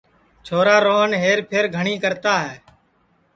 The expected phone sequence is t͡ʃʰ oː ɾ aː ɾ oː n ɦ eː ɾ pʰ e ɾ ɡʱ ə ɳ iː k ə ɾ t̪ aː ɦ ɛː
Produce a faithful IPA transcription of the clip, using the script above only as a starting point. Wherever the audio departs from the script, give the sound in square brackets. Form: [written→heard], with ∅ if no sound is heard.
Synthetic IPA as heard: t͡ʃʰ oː ɾ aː ɾ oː n ɦ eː ɾ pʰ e ɾ ɡʱ ə ɳ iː k ə ɾ t̪ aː ɦ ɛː